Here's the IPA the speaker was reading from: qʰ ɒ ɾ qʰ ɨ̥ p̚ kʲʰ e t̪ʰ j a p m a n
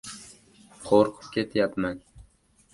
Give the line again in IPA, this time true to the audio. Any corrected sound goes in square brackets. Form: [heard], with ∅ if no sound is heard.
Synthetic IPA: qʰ [o] ɾ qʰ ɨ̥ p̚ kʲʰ e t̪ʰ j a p m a n